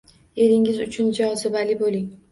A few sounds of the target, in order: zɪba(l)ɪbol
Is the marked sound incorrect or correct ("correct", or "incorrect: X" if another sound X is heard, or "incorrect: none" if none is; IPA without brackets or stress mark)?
correct